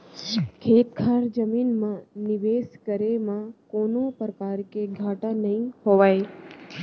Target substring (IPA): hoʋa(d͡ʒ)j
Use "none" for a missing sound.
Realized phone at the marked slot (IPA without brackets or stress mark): none